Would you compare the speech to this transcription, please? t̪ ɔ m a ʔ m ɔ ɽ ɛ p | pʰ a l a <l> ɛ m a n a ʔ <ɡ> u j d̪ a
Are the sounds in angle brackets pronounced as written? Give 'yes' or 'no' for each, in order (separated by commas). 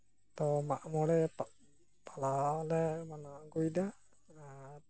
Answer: yes, yes